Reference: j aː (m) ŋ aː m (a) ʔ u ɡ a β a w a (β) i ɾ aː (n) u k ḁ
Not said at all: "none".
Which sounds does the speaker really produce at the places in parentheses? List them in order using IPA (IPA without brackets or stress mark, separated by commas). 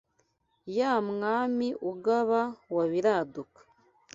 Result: m, i, β, d